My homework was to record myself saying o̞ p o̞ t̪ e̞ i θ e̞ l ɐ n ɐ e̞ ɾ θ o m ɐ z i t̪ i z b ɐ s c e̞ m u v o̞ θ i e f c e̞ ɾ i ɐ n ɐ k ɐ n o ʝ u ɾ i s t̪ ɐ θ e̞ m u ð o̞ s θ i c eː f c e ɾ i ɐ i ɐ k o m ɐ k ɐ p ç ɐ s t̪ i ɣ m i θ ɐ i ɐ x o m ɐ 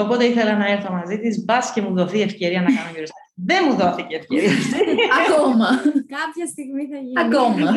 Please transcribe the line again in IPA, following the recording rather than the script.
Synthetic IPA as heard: o̞ p o̞ t̪ e̞ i θ e̞ l ɐ n ɐ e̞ ɾ θ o m ɐ z i t̪ i z b ɐ s c e̞ m u ð o̞ θ i e f c e̞ ɾ i ɐ n ɐ k ɐ n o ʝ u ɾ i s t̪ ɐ ð e̞ m u ð o̞ θ i c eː f c e ɾ i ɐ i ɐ k o m ɐ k ɐ p ç ɐ s t̪ i ɣ m i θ ɐ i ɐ k o m ɐ